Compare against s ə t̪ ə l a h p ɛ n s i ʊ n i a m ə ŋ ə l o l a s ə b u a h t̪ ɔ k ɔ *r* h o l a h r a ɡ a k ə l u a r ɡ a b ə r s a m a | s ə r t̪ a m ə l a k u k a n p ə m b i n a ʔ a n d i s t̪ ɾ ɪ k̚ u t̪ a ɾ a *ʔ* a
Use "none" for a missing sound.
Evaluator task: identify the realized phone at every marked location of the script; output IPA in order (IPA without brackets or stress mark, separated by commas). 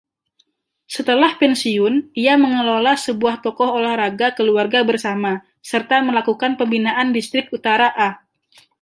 none, ʔ